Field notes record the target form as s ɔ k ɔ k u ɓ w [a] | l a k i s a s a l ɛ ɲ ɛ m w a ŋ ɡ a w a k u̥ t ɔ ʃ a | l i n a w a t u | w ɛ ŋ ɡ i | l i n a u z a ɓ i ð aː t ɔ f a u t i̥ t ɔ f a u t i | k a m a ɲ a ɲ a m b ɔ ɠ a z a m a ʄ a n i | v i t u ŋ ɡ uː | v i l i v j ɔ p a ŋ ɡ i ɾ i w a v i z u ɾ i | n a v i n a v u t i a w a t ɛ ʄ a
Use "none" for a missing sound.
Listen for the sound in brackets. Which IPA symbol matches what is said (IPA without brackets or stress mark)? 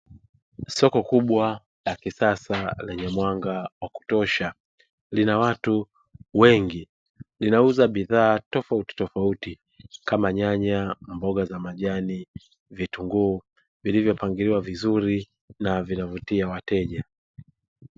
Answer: a